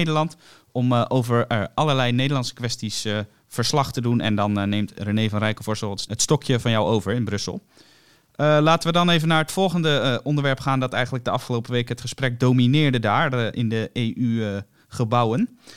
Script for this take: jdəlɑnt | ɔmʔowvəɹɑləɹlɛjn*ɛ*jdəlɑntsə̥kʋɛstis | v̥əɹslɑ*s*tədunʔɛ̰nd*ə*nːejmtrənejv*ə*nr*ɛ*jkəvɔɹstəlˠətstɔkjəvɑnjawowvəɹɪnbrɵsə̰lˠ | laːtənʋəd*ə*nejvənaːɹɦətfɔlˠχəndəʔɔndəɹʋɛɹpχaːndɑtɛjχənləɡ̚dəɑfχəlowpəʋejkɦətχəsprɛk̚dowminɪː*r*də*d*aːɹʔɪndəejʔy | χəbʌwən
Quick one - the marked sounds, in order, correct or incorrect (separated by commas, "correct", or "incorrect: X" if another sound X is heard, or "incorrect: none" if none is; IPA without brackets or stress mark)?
incorrect: e, incorrect: χ, incorrect: ɑ, incorrect: ɑ, correct, incorrect: ɑ, incorrect: ɹ, correct